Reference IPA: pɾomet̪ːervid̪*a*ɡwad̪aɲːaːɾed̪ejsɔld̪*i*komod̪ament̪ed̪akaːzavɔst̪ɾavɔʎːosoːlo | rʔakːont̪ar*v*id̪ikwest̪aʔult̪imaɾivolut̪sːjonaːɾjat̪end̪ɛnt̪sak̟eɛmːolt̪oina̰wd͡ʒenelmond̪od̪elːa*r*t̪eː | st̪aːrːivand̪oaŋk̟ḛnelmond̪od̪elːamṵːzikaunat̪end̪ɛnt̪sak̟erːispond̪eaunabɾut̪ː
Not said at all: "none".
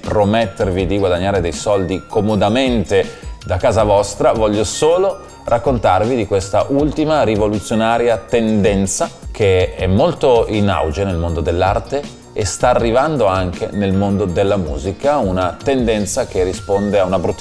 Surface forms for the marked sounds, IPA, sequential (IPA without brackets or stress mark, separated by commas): i, i, v, r